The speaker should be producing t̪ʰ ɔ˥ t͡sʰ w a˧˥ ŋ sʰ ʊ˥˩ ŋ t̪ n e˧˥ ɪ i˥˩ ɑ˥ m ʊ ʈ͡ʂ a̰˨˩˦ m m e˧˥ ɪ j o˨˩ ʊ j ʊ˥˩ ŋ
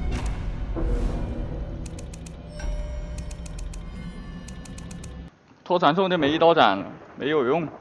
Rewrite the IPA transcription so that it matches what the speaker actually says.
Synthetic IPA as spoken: t̪ʰ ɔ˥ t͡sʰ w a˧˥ n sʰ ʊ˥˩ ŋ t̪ m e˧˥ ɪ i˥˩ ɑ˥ ʊ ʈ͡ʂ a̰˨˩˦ n m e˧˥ ɪ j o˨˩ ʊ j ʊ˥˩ ŋ

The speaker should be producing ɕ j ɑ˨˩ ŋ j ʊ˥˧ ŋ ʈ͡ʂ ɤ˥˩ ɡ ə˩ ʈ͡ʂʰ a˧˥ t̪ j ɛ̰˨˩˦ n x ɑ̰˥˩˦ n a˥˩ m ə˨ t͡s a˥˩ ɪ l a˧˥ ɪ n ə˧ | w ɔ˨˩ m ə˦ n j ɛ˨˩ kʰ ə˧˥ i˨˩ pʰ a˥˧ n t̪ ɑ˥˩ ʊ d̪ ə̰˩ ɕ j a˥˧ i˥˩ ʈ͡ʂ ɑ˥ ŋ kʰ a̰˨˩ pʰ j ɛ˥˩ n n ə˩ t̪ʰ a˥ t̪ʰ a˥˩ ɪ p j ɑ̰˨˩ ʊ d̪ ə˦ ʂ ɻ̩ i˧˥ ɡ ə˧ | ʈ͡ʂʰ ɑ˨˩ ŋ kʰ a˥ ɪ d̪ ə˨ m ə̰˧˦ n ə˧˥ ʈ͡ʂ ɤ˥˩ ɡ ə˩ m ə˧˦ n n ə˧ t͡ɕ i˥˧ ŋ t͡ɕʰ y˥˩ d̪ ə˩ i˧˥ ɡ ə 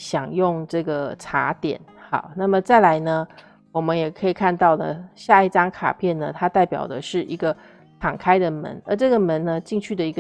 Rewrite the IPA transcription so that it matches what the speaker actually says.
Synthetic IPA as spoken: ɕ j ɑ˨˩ ŋ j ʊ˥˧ ŋ ʈ͡ʂ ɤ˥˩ ɡ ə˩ ʈ͡ʂʰ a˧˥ t̪ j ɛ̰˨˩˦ n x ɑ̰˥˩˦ n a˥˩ m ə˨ t͡s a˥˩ ɪ l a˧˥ ɪ n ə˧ | w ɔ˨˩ m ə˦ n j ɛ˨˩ kʰ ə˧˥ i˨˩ kʰ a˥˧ n t̪ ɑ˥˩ ʊ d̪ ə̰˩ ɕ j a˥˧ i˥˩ ʈ͡ʂ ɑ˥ ŋ kʰ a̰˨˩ pʰ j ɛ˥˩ n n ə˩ t̪ʰ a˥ t̪ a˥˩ ɪ p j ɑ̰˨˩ ʊ d̪ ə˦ ʂ ɻ̩ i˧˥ ɡ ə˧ | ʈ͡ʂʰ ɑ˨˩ ŋ kʰ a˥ ɪ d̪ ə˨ m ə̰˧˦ n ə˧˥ ʈ͡ʂ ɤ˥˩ ɡ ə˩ m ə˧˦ n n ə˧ t͡ɕ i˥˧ ŋ t͡ɕʰ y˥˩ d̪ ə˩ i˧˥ ɡ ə

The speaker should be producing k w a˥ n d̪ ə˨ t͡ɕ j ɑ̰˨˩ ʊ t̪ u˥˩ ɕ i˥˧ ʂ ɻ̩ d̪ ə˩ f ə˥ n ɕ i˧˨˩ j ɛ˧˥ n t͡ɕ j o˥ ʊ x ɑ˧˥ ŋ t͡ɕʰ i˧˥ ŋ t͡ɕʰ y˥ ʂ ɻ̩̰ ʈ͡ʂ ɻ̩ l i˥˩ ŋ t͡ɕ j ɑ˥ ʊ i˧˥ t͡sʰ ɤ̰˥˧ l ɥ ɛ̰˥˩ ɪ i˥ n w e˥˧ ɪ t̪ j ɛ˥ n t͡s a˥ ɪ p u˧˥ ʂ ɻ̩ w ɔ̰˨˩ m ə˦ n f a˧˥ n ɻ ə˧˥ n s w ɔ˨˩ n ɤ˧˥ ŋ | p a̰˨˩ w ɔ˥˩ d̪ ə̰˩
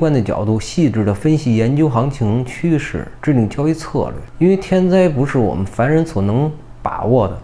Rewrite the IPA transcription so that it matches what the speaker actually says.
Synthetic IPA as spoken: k w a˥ n d̪ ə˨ t͡ɕ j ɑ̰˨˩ ʊ t̪ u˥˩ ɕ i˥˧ ʈ͡ʂ ɻ̩ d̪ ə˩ f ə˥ n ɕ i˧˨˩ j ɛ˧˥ n t͡ɕ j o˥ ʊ x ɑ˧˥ ŋ t͡ɕʰ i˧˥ ŋ t͡ɕʰ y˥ ʂ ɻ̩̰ ʈ͡ʂ ɻ̩ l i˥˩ ŋ t͡ɕ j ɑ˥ ʊ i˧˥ t͡sʰ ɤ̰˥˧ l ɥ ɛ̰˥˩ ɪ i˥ n w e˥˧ ɪ t̪ʰ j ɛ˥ n t͡s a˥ ɪ p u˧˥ ʂ ɻ̩ w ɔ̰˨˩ m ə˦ n f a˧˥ n ɻ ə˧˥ n s w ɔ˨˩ n ɤ˧˥ ŋ | p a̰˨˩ w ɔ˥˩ d̪ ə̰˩

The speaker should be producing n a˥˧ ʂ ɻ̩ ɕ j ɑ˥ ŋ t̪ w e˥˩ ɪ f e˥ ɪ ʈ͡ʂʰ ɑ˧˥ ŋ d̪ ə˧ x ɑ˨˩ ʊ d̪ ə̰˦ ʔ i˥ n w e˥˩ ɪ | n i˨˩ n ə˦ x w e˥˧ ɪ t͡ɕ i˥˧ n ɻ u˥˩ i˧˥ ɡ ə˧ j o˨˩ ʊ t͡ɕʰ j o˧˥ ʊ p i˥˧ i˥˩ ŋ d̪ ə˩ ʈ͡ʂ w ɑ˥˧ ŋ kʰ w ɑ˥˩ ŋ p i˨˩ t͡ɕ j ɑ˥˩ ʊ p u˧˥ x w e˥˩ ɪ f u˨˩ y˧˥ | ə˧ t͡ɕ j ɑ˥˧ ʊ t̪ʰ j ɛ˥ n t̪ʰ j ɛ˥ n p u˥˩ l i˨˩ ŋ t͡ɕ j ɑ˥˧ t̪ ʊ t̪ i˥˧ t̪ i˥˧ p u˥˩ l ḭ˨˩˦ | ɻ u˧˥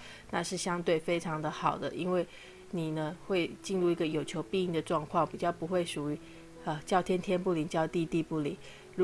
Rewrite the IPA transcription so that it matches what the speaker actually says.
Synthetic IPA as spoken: n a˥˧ ʂ ɻ̩ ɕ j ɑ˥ ŋ t̪ w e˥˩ ɪ f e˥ ɪ ʈ͡ʂʰ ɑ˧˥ ŋ d̪ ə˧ x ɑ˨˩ ʊ d̪ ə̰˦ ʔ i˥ n w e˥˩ ɪ | n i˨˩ n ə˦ x w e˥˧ ɪ t͡ɕ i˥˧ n ɻ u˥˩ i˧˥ ɡ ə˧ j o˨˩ ʊ t͡ɕʰ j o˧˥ ʊ p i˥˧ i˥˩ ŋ d̪ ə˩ ʈ͡ʂ w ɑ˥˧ ŋ kʰ w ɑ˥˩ ŋ p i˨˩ t͡ɕ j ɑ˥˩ ʊ p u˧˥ x w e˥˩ ɪ ʂ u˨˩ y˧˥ | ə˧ t͡ɕ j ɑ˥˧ ʊ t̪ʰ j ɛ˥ n t̪ʰ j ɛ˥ n p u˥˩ l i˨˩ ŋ t͡ɕ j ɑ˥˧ ʊ t̪ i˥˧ t̪ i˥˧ p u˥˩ l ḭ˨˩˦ | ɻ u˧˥

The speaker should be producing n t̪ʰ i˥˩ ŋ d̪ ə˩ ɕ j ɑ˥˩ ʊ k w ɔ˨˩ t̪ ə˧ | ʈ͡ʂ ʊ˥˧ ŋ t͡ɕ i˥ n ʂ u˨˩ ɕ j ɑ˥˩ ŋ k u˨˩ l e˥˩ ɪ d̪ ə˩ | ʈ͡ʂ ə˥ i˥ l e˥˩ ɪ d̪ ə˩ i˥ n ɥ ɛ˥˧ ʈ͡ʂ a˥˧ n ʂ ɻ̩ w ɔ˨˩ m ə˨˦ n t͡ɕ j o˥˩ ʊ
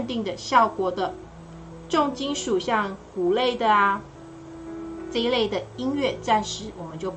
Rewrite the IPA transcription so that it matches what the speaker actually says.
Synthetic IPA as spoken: n t̪ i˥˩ ŋ d̪ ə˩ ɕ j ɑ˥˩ ʊ k w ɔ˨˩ d̪ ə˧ | ʈ͡ʂ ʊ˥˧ ŋ t͡ɕ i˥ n ʂ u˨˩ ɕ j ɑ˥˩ ŋ k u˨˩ l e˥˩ ɪ d̪ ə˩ | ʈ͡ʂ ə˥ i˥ l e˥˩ ɪ d̪ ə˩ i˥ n ɥ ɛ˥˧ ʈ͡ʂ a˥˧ n ʂ ɻ̩ w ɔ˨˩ m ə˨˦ n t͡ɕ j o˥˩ ʊ

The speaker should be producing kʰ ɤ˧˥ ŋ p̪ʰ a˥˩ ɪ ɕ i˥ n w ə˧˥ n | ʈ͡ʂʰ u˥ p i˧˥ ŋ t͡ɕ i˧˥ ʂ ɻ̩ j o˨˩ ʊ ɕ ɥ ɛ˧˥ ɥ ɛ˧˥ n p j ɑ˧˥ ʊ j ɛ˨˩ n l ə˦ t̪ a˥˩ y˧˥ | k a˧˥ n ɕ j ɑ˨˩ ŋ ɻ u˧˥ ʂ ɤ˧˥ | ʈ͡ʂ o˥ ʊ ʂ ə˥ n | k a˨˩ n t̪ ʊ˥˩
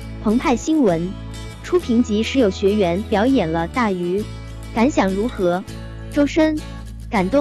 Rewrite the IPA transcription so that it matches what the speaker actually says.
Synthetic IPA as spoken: pʰ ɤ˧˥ ŋ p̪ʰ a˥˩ ɪ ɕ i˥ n w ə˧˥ n | ʈ͡ʂʰ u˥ pʰ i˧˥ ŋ t͡ɕ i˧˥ ʂ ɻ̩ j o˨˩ ʊ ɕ ɥ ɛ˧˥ ɥ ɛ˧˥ n p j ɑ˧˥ ʊ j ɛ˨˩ n l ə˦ t̪ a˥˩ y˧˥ | k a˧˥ n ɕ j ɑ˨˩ ŋ ɻ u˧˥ x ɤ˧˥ | ʈ͡ʂ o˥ ʊ ʂ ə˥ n | k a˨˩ n t̪ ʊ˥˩

